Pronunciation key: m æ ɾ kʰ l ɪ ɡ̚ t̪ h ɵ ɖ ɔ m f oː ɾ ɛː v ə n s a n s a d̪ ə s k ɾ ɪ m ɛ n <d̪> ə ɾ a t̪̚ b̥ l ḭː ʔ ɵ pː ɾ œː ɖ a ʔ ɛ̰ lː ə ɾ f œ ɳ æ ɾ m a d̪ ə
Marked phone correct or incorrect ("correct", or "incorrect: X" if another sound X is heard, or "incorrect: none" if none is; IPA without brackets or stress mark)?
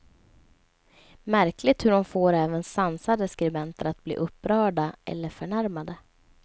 incorrect: t̪